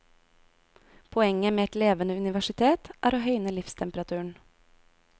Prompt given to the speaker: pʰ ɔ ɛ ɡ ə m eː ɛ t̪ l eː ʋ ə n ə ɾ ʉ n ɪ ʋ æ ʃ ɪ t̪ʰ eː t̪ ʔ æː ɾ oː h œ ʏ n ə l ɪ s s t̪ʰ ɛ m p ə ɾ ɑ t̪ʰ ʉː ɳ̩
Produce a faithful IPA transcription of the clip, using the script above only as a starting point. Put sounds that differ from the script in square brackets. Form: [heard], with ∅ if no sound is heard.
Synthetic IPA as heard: pʰ ɔ ɛ [ŋ] ə m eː ɛ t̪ l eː ʋ ə n ə [∅] ʉ n ɪ ʋ æ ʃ ɪ t̪ʰ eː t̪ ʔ æː ɾ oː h œ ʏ n ə l ɪ [f] s t̪ʰ ɛ m p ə ɾ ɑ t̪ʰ ʉː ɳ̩